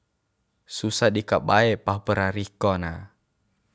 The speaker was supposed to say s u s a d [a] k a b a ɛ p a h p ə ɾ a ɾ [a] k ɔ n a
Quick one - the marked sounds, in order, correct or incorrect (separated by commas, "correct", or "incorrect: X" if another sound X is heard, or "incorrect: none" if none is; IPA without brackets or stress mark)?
incorrect: i, incorrect: i